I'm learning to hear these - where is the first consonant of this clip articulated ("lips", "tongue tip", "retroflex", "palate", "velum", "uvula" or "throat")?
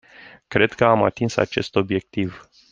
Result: velum